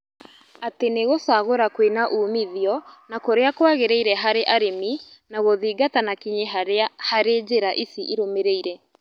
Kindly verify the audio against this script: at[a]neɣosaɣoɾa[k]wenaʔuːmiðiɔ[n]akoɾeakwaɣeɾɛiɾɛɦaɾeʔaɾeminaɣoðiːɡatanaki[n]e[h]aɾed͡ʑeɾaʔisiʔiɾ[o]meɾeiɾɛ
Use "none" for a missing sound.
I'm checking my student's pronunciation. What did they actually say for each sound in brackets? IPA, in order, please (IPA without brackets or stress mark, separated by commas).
e, k, n, ɲ, h, o